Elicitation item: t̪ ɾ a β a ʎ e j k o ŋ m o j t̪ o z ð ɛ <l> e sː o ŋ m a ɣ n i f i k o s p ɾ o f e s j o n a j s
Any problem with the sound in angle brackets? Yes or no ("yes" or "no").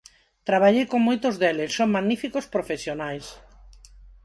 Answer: no